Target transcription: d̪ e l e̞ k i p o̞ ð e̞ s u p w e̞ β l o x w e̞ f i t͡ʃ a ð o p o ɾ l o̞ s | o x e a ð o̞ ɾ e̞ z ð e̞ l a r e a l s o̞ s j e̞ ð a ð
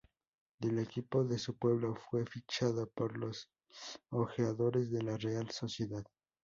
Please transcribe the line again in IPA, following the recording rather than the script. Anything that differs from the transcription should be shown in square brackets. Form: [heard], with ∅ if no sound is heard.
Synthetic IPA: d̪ e l e̞ k i p o̞ ð e̞ s u p w e̞ β l o [f] w e̞ f i t͡ʃ a ð o p o ɾ l o̞ s | o x e a ð o̞ ɾ e̞ z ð e̞ l a r e a l s o̞ s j e̞ ð a ð

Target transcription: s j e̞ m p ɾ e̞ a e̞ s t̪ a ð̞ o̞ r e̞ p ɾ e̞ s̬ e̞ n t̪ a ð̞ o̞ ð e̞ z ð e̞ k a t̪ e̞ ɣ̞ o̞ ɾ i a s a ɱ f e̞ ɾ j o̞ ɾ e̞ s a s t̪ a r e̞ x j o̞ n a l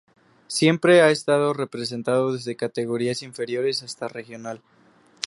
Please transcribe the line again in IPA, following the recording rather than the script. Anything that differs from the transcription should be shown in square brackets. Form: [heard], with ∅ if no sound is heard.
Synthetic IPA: s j e̞ m p ɾ e̞ a e̞ s t̪ a ð̞ o̞ r e̞ p ɾ e̞ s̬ e̞ n t̪ a ð̞ o̞ ð e̞ z ð e̞ k a t̪ e̞ ɣ̞ o̞ ɾ i a s [i] ɱ f e̞ ɾ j o̞ ɾ e̞ s a s t̪ a r e̞ x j o̞ n a l

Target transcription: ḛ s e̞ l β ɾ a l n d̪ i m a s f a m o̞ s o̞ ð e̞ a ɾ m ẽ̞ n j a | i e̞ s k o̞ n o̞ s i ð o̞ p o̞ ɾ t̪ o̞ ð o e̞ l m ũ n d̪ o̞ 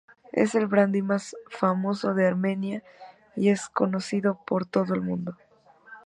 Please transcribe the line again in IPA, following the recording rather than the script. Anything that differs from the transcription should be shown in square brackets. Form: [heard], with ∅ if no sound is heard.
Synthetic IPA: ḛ s e̞ l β ɾ a [∅] n d̪ i m a s f a m o̞ s o̞ ð e̞ a ɾ m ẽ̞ n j a | i e̞ s k o̞ n o̞ s i ð o̞ p o̞ ɾ t̪ o̞ ð o e̞ l m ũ n d̪ o̞

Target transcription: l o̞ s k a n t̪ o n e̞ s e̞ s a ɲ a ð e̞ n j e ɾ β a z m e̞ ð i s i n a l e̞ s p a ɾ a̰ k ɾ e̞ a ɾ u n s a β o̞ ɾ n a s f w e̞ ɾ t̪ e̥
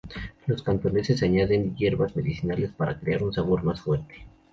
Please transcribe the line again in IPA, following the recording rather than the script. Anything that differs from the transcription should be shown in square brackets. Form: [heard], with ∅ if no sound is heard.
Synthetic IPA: l o̞ s k a n t̪ o n e̞ s e̞ s a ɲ a ð e̞ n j e ɾ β a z m e̞ ð i s i n a l e̞ s p a ɾ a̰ k ɾ e̞ a ɾ u n s a β o̞ ɾ [m] a s f w e̞ ɾ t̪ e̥

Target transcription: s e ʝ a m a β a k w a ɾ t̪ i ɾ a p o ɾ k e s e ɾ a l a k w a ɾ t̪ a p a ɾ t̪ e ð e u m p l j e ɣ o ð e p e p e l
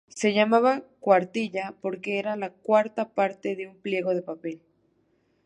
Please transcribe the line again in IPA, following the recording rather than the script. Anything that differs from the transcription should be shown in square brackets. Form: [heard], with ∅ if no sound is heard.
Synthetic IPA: s e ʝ a m a β a k w a ɾ t̪ i [ʎ] a p o ɾ k e [∅] e ɾ a l a k w a ɾ t̪ a p a ɾ t̪ e ð e u m p l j e ɣ o ð e p [a] p e l

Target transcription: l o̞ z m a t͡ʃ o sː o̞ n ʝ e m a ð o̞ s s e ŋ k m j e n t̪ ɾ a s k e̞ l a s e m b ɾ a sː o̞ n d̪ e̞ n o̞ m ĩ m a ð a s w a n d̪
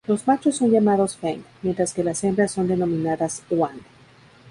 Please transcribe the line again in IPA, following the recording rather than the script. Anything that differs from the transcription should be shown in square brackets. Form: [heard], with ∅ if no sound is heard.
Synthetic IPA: l o̞ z m a t͡ʃ o sː o̞ n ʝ [a] m a ð o̞ s [f] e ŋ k m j e n t̪ ɾ a s k e̞ l a s e m b ɾ a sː o̞ n d̪ e̞ n o̞ m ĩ [n] a ð a s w a n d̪

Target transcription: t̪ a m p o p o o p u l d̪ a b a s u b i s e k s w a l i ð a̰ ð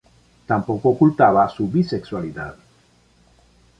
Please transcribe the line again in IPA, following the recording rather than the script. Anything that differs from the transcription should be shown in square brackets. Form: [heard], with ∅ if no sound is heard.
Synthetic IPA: t̪ a m p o [k] o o [k] u l [t̪] a [β] a s u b i s e k s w a l i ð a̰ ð

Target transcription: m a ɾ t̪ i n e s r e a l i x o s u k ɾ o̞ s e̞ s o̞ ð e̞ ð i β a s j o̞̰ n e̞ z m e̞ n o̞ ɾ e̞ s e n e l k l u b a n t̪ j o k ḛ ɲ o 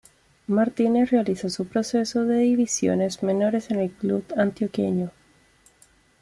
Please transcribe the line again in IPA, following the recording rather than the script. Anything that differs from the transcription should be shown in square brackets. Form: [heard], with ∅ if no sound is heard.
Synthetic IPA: m a ɾ t̪ i n e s r e a l i [s] o s u [p] ɾ o̞ s e̞ s o̞ ð e̞ ð i β [i] s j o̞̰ n e̞ z m e̞ n o̞ ɾ e̞ s e n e l k l u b a n t̪ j o k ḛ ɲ o

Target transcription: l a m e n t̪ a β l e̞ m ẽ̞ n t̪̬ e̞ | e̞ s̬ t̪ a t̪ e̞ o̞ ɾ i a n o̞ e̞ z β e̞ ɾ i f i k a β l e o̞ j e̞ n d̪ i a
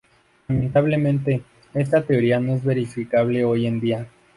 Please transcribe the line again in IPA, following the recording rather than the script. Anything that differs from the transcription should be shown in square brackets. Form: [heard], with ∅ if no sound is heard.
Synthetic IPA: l a m e n t̪ a β l e̞ m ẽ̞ n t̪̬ e̞ | e̞ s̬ t̪ a t̪ e̞ o̞ ɾ i a n o̞ e̞ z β e̞ ɾ i f i k a β l e o̞ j e̞ n d̪ i a

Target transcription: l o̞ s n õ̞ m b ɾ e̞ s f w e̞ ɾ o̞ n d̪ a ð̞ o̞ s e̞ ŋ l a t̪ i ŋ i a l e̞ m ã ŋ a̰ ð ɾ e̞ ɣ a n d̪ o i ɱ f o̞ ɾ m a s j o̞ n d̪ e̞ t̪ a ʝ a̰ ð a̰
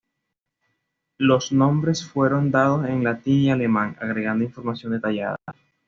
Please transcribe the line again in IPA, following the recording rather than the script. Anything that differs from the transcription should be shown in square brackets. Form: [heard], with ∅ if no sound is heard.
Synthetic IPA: l o̞ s n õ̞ m b ɾ e̞ s f w e̞ ɾ o̞ n d̪ a ð̞ o̞ s e̞ ŋ l a t̪ i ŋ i a l e̞ m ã ŋ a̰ [ɣ] ɾ e̞ ɣ a n d̪ o i ɱ f o̞ ɾ m a s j o̞ n d̪ e̞ t̪ a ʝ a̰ ð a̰

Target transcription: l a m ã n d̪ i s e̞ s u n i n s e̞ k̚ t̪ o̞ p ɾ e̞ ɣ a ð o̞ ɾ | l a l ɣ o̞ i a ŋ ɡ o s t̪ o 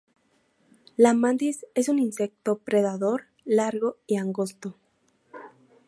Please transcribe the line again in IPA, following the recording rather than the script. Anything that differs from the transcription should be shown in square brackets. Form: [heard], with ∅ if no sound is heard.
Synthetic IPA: l a m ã n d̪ i s e̞ s u n i n s e̞ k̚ t̪ o̞ p ɾ e̞ [ð] a ð o̞ ɾ | l a [ɾ] ɣ o̞ i a ŋ ɡ o s t̪ o

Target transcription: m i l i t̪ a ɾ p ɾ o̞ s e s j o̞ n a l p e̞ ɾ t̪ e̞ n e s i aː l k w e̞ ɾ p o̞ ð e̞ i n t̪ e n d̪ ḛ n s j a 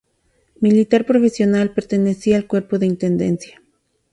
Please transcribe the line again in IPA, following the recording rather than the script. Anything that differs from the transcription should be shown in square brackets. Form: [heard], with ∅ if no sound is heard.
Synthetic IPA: m i l i t̪ a ɾ p ɾ o̞ [f] e s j o̞ n a l p e̞ ɾ t̪ e̞ n e s i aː l k w e̞ ɾ p o̞ ð e̞ i n t̪ e n d̪ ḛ n s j a

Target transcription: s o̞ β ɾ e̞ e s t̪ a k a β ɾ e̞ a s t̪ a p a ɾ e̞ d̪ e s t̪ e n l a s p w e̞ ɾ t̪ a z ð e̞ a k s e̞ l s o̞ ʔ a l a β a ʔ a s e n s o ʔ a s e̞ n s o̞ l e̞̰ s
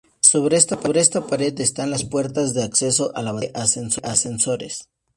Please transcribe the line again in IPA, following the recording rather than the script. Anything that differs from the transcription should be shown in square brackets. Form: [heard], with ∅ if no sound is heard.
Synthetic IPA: s o̞ β ɾ e̞ e s t̪ a [p] a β ɾ e̞ [e] s t̪ a p a ɾ e̞ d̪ e s t̪ [a] n l a s p w e̞ ɾ t̪ a z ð e̞ a k s e̞ [∅] s o̞ ʔ a l a β a ʔ a s e n s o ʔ a s e̞ n s o̞ [ɾ] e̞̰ s

